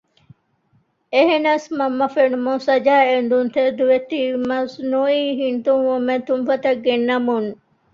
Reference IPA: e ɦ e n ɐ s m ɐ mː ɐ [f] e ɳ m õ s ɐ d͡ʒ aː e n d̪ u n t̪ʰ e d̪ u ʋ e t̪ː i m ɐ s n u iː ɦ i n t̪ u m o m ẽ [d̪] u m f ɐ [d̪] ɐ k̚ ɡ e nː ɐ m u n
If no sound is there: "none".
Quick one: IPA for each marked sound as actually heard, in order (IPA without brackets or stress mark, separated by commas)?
f, t̪, t̪